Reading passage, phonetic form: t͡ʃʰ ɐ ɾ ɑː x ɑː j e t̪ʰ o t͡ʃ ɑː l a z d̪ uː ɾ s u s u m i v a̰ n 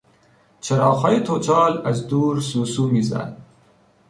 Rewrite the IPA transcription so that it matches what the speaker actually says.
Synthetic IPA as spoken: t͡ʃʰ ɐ ɾ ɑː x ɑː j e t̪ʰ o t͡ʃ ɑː l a z d̪ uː ɾ s u s u m i z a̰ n